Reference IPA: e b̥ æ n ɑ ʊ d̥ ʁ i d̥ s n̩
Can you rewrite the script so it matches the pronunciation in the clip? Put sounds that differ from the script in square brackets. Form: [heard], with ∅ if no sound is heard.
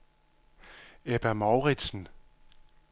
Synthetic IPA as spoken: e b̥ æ [m] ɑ ʊ [∅] ʁ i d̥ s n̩